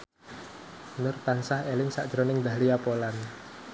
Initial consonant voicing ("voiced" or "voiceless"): voiced